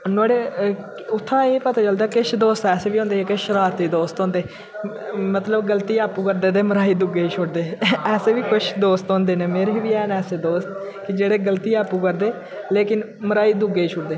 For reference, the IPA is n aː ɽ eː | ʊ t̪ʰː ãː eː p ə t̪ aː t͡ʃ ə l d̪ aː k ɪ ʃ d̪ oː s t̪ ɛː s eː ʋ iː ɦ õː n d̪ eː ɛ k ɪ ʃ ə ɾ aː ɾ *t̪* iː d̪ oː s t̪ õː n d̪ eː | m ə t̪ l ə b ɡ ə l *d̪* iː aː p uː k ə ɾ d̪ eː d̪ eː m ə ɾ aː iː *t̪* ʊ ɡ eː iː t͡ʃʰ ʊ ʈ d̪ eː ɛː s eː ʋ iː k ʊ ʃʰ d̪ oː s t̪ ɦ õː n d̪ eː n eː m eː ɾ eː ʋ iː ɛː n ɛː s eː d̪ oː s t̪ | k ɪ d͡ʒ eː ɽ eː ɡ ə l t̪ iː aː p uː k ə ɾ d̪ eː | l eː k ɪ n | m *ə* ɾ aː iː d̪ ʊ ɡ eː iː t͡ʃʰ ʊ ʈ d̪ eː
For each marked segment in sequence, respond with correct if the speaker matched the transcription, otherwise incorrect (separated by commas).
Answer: correct, incorrect, incorrect, correct